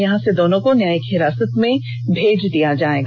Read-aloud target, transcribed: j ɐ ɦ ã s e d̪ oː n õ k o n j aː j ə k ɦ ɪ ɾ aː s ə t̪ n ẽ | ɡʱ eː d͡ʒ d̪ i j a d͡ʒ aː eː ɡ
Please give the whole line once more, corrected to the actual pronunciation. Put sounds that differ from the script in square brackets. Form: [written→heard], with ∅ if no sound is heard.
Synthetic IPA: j ɐ ɦ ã s e d̪ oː n õ k o n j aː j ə k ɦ ɪ ɾ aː s ə t̪ [n→m] ẽ | [ɡʱ→bʱ] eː d͡ʒ d̪ i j a d͡ʒ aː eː ɡ